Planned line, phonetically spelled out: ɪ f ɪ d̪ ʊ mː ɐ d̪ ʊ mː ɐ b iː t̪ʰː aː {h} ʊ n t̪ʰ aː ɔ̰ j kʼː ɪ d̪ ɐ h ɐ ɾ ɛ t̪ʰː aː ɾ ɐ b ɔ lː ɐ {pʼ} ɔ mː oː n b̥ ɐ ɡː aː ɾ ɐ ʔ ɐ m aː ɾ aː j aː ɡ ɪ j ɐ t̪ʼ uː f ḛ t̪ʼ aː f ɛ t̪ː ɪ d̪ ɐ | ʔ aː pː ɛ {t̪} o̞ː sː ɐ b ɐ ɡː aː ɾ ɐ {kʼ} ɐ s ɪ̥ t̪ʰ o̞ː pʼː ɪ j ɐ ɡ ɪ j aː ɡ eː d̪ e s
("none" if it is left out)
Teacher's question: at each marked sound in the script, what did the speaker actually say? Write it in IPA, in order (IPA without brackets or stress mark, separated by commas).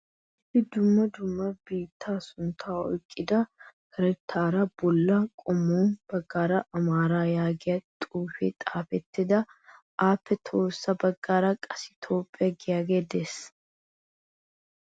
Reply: s, kʼ, t̪ʰ, kʼ